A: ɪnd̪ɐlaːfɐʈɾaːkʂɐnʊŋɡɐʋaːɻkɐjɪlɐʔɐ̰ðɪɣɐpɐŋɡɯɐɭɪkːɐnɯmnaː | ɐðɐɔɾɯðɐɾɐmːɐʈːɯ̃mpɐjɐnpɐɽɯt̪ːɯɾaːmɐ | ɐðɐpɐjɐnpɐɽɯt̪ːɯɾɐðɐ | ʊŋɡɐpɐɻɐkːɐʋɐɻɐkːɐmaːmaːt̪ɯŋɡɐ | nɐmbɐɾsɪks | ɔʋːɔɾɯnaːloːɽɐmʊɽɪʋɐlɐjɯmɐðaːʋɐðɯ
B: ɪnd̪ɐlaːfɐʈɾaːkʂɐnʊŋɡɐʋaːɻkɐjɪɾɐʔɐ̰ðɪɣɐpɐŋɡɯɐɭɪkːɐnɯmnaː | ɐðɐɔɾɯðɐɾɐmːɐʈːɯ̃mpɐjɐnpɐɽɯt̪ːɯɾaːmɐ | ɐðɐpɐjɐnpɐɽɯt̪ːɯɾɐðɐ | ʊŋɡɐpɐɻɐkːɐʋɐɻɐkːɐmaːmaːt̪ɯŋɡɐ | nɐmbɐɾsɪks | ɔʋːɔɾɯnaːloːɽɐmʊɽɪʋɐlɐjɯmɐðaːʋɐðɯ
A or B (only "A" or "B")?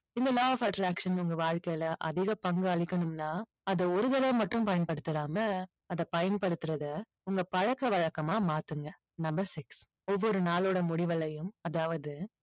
A